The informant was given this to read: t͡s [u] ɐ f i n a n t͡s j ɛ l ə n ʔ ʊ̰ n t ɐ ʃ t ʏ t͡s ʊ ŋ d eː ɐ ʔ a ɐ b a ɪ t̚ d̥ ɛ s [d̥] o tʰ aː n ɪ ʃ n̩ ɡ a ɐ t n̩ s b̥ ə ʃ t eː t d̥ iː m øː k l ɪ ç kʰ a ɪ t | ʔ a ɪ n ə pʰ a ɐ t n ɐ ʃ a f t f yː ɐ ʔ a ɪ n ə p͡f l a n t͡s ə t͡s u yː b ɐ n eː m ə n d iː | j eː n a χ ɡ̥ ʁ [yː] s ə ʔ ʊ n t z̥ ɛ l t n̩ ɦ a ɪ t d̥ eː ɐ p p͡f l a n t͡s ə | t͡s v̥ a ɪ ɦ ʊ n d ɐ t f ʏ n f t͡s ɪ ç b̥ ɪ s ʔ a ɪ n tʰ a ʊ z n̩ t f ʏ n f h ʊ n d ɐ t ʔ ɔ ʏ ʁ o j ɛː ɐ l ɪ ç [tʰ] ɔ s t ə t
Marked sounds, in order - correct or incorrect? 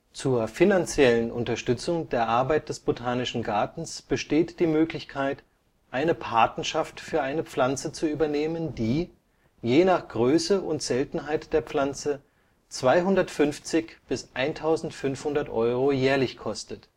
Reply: incorrect: uː, incorrect: b̥, incorrect: øː, incorrect: kʰ

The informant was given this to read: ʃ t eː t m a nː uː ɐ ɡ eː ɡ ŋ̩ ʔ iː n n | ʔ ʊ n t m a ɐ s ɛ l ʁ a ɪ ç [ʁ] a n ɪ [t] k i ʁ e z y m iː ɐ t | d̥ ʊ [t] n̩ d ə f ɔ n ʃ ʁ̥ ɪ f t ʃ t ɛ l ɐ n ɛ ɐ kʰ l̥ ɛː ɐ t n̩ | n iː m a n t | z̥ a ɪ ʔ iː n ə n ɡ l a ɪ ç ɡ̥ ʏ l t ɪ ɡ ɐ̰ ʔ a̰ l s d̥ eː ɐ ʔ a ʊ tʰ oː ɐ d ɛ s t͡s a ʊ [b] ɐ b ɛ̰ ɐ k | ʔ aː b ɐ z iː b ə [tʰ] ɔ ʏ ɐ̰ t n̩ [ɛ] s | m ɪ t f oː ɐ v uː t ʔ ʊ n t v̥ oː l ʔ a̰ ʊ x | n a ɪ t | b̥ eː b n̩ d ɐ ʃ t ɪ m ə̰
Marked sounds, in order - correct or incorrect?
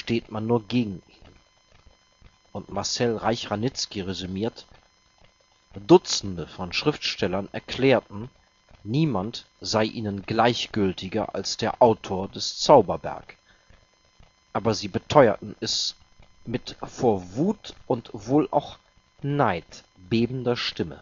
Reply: correct, incorrect: t͡s, incorrect: t͡s, correct, correct, correct

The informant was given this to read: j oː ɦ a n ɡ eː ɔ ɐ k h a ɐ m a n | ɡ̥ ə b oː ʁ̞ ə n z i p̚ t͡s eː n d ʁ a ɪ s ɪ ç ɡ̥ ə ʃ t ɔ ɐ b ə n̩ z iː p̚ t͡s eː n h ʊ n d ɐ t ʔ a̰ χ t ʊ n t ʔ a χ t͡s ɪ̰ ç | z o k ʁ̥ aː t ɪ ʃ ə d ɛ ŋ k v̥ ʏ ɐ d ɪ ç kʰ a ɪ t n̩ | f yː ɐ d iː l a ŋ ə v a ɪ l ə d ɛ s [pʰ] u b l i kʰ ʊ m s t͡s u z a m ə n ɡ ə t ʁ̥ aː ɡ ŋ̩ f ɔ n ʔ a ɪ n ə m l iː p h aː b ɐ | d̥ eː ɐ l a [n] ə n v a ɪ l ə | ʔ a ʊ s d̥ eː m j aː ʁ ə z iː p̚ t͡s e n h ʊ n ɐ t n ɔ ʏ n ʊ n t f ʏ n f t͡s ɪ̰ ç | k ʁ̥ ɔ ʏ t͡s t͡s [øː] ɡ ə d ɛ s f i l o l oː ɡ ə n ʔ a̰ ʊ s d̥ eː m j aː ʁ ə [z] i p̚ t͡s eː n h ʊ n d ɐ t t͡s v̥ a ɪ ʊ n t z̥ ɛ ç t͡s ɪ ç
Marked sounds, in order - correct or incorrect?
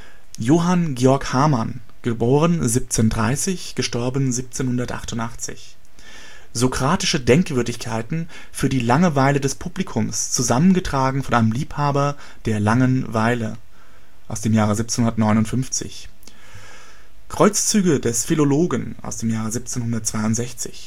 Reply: correct, incorrect: ŋ, incorrect: yː, correct

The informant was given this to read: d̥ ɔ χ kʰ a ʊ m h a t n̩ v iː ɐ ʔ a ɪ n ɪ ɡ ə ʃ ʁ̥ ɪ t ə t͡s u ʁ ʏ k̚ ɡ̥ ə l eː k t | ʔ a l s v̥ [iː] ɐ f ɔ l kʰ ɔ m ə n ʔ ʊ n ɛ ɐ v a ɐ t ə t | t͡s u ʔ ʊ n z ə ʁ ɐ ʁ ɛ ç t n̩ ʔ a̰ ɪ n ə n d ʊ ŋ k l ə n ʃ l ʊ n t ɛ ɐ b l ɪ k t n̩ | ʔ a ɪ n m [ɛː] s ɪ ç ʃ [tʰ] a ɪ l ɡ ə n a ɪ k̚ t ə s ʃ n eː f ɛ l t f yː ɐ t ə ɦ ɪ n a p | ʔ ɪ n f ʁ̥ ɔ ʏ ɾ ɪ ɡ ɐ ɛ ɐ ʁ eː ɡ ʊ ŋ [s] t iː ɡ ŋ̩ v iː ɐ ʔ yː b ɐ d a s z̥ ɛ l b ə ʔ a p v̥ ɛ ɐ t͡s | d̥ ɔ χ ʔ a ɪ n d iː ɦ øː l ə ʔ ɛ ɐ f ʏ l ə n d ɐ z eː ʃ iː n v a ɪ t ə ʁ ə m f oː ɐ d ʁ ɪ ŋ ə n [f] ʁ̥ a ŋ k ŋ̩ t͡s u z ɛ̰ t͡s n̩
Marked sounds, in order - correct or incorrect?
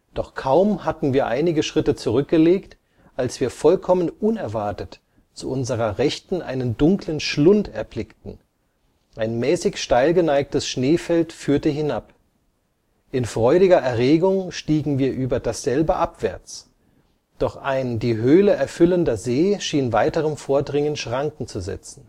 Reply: correct, correct, incorrect: t, incorrect: ʃ, incorrect: ʃ

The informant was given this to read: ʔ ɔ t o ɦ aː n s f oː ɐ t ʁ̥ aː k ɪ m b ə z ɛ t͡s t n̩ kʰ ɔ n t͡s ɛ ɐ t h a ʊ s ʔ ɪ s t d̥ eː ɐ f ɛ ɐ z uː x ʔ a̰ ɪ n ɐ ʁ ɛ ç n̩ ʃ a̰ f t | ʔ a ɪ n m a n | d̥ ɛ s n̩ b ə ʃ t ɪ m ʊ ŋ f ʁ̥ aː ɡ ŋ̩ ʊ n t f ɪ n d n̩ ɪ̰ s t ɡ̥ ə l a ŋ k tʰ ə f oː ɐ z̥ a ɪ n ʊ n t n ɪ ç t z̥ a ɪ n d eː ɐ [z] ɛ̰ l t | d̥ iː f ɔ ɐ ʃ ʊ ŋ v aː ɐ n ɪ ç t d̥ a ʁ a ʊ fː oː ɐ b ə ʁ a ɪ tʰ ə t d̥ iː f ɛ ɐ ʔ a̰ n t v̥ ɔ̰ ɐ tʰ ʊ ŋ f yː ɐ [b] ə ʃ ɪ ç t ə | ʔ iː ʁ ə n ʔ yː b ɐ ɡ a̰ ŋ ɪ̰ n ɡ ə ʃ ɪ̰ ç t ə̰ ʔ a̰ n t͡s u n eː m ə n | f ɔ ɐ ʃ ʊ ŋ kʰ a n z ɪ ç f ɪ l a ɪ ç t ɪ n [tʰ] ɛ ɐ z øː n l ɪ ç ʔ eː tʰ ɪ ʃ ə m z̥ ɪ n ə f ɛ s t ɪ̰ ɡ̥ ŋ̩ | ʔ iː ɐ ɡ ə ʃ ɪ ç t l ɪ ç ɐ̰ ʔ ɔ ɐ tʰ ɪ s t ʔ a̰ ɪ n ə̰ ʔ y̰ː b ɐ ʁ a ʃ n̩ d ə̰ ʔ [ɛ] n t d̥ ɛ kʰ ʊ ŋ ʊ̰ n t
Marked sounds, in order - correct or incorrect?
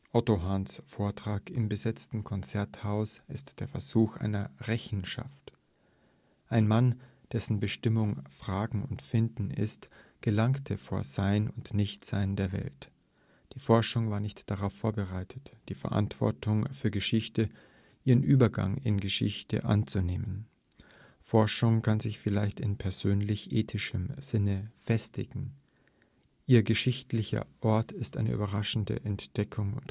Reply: incorrect: v, incorrect: ɡ, incorrect: pʰ, correct

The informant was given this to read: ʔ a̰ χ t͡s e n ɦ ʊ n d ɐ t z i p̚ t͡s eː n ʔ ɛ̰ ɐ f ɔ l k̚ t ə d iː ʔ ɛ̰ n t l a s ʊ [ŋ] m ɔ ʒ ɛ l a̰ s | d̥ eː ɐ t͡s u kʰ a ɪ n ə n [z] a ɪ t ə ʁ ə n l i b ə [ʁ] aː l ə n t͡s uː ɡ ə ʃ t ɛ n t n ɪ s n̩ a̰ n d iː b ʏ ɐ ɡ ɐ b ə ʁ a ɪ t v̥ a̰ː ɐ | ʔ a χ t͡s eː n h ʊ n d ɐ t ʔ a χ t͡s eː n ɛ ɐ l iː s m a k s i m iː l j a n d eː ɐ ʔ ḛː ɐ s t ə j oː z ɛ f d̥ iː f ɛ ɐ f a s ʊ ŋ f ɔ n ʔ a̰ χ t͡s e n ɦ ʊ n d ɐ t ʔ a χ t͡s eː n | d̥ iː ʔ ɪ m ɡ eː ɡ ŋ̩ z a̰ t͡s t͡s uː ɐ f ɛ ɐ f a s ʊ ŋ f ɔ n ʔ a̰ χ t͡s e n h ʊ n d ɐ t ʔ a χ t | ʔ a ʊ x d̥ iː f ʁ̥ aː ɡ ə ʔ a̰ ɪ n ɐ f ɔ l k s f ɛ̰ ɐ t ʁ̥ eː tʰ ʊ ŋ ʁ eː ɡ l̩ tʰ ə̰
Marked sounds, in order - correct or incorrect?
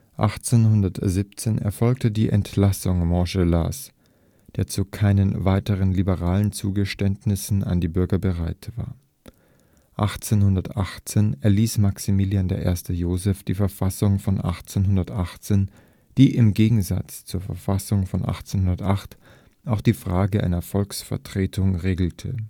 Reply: correct, incorrect: v, correct

